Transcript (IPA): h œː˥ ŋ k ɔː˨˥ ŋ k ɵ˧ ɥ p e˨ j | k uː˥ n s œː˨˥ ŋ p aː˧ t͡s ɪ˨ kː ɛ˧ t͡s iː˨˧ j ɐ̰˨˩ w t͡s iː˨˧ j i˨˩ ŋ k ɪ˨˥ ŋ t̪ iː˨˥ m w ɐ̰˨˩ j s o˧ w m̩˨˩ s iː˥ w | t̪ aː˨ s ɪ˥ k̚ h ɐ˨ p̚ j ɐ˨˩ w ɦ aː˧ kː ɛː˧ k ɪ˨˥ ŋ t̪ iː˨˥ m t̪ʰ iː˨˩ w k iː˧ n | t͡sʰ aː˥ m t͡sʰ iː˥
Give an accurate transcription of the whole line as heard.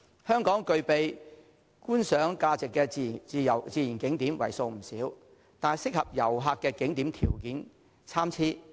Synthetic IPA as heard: h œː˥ ŋ k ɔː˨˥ ŋ k ɵ˧ ɥ p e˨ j | k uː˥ n s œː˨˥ ŋ k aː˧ t͡s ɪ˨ kː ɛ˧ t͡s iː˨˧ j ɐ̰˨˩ w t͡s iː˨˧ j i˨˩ n k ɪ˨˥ ŋ t̪ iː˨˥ m w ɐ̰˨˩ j s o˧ w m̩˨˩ s iː˨˥ w | t̪ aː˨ s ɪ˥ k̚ h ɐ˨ p̚ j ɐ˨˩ w ɦ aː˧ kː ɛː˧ k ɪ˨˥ ŋ t̪ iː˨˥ m t̪ʰ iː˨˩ w k iː˨˥ n | t͡sʰ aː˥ m t͡sʰ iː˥